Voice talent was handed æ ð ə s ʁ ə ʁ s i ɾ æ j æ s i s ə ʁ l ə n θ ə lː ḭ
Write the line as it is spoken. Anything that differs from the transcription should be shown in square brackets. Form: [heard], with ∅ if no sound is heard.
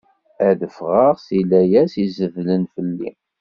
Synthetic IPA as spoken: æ ð ə [f] ʁ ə ʁ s i [l] æ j æ s i [z] ə [v] l ə n [f] ə lː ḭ